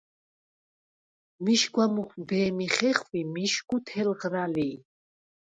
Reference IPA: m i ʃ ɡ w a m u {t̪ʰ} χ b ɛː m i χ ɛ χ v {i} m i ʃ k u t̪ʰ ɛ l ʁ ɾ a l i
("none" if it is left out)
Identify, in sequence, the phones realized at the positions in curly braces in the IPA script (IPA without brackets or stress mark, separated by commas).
none, i